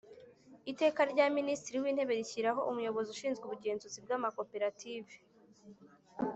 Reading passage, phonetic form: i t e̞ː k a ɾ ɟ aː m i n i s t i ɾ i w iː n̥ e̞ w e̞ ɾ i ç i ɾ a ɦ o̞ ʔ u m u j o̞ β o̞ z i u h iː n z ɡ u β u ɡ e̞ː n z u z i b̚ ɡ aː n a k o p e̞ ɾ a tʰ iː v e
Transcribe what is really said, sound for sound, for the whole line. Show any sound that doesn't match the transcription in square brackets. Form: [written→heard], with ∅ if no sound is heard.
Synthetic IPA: i t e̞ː k a ɾ ɟ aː m i n i s t i ɾ i w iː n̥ e̞ [w→β] e̞ ɾ i ç i ɾ a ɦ o̞ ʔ u m u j o̞ β o̞ z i u [h→ʃ] iː n z ɡ u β u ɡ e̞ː n z u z i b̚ ɡ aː [n→m] a k o p e̞ ɾ a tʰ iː v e